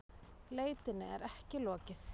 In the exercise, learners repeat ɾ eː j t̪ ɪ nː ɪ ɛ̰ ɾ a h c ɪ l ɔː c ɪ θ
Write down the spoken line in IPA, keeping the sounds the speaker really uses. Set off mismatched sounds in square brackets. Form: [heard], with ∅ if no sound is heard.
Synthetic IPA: [l] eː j t̪ ɪ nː ɪ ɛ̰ ɾ [ɛ] h c ɪ l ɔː c ɪ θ